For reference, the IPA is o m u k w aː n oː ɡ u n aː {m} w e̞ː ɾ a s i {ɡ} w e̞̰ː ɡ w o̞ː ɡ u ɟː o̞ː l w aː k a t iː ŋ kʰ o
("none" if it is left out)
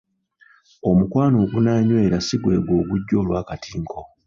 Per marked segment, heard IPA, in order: ɲ, ɡ

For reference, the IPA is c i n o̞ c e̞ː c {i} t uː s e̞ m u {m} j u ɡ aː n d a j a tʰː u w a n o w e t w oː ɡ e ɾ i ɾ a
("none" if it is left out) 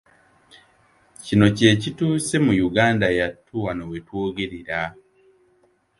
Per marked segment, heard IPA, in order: i, none

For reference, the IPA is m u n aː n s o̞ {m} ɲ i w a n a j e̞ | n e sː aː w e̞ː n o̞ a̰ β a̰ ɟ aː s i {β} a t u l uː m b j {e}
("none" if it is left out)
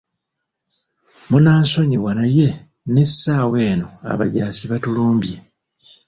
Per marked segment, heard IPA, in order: none, β, e

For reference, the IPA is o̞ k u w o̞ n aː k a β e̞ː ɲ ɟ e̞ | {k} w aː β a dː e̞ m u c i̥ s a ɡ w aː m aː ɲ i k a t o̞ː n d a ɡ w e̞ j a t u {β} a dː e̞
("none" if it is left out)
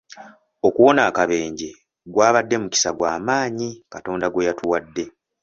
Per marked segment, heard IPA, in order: ɡ, w

